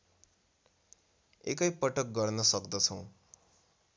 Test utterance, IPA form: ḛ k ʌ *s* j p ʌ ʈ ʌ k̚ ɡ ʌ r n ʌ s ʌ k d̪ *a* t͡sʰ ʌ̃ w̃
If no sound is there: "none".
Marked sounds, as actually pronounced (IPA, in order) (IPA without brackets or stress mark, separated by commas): none, ʌ